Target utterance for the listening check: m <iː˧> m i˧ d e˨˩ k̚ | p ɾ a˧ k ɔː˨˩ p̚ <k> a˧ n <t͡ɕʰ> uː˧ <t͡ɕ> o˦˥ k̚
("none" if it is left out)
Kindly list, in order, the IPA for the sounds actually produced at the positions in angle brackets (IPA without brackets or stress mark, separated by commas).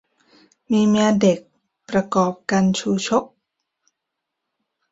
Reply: iː˧, k, t͡ɕʰ, t͡ɕʰ